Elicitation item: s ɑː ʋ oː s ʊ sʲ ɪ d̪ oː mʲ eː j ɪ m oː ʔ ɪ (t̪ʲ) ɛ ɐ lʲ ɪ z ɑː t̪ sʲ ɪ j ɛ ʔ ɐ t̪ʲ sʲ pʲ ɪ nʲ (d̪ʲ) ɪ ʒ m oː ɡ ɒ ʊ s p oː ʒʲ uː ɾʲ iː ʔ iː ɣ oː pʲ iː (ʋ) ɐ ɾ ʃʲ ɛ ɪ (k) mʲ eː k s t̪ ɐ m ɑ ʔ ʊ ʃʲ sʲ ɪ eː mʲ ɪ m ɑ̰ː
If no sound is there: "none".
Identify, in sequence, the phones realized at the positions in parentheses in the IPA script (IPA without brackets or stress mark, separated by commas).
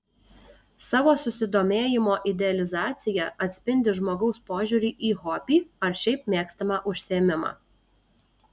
d̪ʲ, d̪ʲ, none, p